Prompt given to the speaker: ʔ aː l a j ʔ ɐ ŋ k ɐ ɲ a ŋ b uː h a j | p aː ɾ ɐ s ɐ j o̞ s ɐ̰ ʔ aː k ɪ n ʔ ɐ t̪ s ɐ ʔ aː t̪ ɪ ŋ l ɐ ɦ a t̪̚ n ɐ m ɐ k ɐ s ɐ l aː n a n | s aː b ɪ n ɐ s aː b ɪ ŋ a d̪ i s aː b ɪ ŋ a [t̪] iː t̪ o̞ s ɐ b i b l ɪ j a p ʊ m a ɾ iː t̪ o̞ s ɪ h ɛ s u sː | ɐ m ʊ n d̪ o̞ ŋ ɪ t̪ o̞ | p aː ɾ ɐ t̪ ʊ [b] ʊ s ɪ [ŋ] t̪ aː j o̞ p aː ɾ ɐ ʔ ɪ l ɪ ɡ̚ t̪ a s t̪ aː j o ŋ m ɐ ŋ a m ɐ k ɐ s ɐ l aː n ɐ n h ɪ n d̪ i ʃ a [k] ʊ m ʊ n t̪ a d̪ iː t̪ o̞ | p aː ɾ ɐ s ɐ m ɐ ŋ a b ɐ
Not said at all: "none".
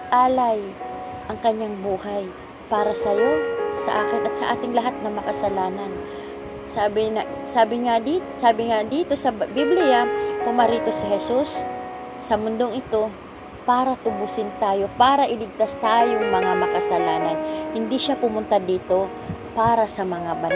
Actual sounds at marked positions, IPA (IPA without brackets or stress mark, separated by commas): d̪, b, n, p